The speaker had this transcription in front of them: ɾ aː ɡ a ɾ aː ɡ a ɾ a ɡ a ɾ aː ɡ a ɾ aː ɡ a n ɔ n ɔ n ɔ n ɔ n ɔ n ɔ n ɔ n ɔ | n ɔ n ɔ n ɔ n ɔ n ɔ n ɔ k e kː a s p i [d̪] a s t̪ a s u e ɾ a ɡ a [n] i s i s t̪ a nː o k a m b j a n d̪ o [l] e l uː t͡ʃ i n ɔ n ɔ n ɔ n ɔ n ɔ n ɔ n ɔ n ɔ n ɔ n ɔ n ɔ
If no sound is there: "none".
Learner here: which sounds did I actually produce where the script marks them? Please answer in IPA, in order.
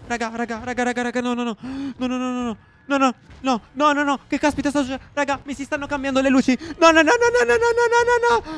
t̪, m, l

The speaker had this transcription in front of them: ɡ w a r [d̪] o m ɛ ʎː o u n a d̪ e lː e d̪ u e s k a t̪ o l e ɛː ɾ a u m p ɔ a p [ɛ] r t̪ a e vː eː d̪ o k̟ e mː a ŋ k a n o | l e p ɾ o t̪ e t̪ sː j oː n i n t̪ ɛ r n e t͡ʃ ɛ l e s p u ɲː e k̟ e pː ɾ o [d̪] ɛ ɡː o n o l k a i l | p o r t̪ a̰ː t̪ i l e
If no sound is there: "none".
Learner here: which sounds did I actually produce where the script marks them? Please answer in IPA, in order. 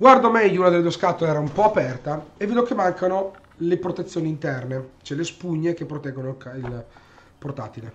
d̪, ɛ, t̪

